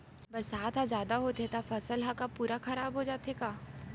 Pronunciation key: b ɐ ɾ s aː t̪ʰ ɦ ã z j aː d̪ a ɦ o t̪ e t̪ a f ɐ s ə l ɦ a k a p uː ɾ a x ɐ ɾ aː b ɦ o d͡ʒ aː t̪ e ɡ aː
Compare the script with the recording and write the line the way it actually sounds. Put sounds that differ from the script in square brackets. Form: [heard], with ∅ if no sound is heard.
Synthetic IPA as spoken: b ɐ ɾ s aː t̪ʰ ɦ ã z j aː d̪ a ɦ o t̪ e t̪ a f ɐ s ə l ɦ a k a p uː ɾ a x ɐ ɾ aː b ɦ o d͡ʒ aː t̪ e [k] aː